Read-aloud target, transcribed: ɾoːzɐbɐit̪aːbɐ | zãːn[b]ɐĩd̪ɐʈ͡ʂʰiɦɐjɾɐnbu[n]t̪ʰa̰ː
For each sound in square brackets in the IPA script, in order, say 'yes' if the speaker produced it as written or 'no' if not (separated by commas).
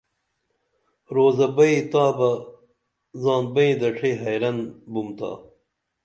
yes, no